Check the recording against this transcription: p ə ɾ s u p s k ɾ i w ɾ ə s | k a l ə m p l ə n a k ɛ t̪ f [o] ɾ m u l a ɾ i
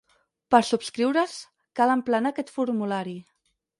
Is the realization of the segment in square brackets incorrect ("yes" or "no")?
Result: yes